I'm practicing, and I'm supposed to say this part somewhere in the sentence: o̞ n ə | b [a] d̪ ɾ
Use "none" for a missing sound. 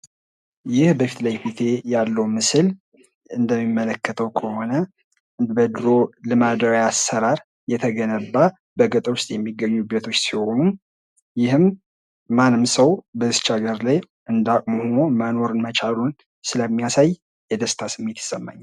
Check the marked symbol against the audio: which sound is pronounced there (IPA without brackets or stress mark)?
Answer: ə